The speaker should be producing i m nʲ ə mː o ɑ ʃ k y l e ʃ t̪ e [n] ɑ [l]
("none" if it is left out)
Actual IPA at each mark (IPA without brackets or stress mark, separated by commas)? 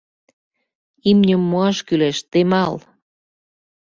m, l